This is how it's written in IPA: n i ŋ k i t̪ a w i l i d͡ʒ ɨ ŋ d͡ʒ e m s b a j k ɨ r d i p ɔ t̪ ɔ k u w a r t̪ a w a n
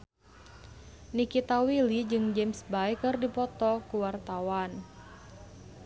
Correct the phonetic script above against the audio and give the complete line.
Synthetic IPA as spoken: n i k i t̪ a w i l i d͡ʒ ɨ ŋ d͡ʒ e m s b a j k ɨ r d i p ɔ t̪ ɔ k u w a r t̪ a w a n